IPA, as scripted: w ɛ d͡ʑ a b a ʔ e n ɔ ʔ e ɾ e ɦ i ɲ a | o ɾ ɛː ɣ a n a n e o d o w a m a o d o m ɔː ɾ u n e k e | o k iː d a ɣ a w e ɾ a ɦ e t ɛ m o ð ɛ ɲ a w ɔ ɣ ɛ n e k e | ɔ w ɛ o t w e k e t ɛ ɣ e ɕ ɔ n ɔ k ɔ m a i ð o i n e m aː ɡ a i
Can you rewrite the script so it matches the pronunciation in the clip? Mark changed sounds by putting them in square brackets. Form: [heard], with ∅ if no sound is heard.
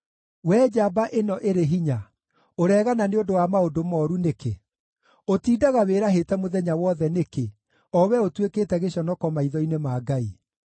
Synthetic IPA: w ɛ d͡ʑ a b a ʔ e n ɔ ʔ e ɾ e ɦ i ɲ a | o ɾ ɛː ɣ a n a n e o d o w a m a o d o m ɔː ɾ u n e k e | o [t] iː d a ɣ a w e ɾ a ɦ e t ɛ m o ð ɛ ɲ a w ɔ [ð] ɛ n e k e | ɔ w ɛ o t w e k e t ɛ ɣ e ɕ ɔ n ɔ k ɔ m a i ð [ɔ] i n e m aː ɡ a i